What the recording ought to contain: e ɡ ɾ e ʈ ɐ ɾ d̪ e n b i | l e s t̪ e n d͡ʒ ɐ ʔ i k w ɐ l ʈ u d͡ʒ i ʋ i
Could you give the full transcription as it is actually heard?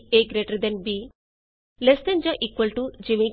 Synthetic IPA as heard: e ɡ ɾ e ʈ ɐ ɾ d̪ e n b i | l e s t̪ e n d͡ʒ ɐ ʔ i k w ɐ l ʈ u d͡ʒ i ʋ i